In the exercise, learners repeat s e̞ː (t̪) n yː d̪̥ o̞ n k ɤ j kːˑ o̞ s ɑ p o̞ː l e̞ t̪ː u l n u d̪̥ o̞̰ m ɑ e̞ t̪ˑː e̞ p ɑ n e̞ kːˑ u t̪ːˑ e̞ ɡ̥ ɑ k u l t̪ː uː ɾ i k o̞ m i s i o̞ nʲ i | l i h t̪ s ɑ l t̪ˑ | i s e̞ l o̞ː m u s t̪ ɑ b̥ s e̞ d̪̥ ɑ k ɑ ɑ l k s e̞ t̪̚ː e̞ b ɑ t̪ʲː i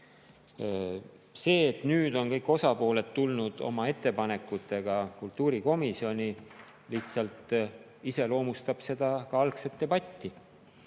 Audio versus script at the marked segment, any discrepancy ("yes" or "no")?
no